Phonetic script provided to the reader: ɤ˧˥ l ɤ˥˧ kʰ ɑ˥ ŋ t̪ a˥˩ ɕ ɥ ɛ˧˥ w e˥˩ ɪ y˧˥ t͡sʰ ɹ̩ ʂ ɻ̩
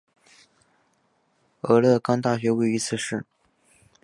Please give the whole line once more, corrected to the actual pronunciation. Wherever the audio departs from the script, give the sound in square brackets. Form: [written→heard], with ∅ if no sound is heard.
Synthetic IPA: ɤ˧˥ l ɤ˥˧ [kʰ→k] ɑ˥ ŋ t̪ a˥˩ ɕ ɥ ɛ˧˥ w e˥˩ ɪ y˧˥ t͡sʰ ɹ̩ ʂ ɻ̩

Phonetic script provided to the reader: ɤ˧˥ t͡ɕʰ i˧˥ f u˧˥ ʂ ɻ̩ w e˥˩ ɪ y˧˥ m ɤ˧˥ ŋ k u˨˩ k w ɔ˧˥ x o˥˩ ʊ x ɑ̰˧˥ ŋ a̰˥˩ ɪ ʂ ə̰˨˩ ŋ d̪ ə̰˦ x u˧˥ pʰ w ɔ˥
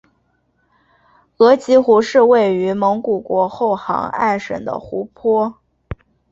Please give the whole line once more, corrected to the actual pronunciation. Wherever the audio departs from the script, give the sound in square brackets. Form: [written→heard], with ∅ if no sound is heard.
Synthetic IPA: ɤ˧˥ [t͡ɕʰ→t͡ɕ] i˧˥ [f→x] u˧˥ ʂ ɻ̩ w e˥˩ ɪ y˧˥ m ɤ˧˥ ŋ k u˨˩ k w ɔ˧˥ x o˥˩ ʊ x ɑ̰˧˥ ŋ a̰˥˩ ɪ ʂ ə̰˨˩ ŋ d̪ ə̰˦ x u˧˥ pʰ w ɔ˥

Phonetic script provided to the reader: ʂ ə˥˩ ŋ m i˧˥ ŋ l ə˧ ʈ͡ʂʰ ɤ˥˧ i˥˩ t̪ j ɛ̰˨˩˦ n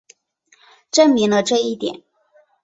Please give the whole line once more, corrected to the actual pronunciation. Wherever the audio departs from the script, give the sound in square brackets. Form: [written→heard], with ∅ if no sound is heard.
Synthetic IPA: [ʂ→ʈ͡ʂ] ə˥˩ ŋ m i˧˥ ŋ l ə˧ [ʈ͡ʂʰ→ʈ͡ʂ] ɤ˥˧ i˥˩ t̪ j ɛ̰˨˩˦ n

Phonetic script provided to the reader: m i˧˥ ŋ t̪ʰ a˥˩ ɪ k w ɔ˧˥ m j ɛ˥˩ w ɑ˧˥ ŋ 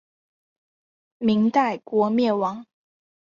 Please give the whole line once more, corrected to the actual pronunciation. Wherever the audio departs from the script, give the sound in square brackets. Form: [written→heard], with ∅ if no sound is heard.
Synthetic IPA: m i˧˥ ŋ [t̪ʰ→t̪] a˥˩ ɪ k w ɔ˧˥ m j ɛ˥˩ w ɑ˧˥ ŋ

